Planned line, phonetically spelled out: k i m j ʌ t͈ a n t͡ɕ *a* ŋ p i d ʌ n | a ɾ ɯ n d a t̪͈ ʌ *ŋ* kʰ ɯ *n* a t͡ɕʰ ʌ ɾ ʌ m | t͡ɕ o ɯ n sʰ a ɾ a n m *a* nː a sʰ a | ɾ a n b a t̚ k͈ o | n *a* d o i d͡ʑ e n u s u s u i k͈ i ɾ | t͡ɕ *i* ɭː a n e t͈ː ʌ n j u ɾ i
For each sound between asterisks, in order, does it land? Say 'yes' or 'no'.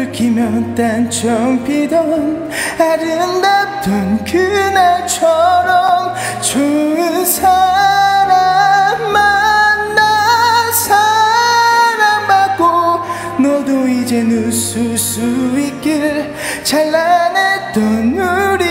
no, no, yes, yes, no, no

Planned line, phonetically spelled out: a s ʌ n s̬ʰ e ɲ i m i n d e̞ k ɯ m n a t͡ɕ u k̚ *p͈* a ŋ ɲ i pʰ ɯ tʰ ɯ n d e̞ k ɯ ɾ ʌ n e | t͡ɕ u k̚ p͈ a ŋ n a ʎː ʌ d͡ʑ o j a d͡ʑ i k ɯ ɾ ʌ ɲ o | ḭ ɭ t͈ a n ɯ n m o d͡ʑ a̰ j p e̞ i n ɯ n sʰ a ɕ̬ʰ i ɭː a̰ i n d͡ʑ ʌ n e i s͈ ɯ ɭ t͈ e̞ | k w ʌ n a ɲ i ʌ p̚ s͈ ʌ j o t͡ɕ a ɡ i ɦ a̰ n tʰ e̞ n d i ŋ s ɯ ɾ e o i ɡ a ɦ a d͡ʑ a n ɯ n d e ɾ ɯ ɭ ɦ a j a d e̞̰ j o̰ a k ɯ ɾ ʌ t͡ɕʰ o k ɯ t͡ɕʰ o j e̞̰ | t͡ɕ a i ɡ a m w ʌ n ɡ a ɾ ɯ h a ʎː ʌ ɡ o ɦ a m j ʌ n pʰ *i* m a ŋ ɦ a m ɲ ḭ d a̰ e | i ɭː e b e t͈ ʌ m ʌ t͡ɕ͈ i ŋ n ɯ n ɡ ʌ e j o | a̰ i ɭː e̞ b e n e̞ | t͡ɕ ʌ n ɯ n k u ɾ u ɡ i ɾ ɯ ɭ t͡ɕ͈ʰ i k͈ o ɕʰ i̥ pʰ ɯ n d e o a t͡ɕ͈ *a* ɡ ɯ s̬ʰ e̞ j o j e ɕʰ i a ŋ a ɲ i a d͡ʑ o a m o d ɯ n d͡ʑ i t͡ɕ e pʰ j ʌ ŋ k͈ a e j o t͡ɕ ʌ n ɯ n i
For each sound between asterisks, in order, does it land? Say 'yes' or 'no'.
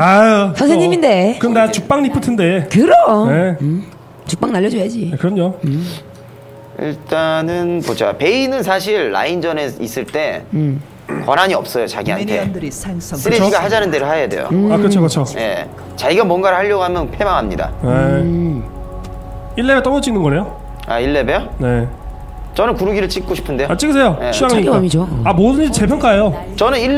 yes, no, no

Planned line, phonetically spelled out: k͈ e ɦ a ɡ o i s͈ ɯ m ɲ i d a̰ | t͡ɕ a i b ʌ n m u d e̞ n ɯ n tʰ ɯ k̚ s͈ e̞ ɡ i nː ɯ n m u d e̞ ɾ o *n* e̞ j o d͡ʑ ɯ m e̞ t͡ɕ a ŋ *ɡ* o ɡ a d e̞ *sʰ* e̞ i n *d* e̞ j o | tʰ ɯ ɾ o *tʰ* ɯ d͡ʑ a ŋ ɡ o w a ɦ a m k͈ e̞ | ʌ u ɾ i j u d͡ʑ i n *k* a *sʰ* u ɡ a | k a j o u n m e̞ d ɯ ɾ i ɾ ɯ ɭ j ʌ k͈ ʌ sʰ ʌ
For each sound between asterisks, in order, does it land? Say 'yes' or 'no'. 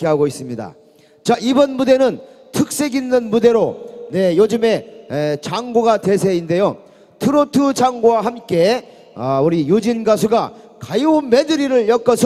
yes, yes, yes, yes, yes, no, yes

